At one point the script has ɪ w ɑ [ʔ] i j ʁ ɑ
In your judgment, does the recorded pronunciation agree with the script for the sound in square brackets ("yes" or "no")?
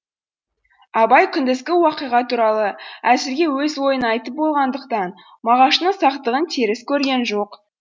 no